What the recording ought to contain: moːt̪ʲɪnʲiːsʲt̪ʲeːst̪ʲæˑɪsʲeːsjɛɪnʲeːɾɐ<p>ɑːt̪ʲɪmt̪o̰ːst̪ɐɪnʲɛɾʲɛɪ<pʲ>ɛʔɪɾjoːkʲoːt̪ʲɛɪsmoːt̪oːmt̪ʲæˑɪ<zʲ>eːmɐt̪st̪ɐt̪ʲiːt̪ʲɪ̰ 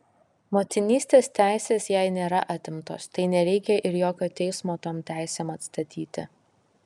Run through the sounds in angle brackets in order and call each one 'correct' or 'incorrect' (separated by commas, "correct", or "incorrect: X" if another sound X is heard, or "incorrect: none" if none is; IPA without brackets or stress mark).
incorrect: ʔ, incorrect: kʲ, incorrect: sʲ